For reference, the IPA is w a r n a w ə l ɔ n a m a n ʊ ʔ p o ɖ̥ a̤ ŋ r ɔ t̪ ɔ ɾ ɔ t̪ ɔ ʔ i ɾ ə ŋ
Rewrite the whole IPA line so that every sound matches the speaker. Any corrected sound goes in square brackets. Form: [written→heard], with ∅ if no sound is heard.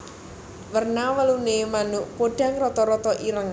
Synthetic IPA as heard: w [a→ə] r n a w ə l [ɔ→u] n [a→e] m a n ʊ ʔ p o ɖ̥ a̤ ŋ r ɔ t̪ ɔ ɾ ɔ t̪ ɔ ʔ i ɾ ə ŋ